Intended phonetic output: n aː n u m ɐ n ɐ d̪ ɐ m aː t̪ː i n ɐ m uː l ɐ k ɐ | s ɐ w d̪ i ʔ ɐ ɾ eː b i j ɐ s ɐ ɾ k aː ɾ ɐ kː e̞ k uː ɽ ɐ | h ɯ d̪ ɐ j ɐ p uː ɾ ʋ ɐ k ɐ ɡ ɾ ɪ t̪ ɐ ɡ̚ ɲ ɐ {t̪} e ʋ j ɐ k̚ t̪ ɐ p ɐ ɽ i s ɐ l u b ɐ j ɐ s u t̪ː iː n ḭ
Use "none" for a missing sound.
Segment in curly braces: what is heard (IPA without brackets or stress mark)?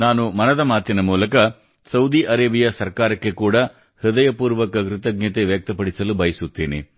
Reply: t̪